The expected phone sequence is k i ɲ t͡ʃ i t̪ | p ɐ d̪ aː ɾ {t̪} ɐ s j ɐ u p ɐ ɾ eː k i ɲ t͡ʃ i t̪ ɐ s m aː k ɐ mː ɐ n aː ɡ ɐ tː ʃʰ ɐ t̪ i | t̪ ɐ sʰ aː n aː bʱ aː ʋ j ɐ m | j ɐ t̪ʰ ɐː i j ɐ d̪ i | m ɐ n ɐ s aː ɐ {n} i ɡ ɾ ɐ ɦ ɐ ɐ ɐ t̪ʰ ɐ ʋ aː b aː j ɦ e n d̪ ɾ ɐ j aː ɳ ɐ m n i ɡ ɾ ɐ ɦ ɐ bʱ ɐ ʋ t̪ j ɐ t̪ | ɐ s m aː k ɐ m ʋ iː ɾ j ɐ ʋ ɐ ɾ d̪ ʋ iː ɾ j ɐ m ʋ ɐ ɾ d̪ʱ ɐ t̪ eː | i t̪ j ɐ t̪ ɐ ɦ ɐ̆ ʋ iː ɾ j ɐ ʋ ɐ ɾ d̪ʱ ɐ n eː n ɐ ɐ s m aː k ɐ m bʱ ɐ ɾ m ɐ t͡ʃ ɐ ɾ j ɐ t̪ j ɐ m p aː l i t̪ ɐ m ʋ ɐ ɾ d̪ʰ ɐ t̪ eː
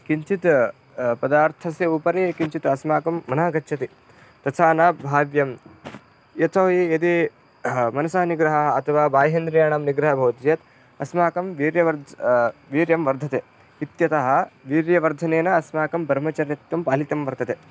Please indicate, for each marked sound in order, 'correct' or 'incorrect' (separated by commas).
incorrect, correct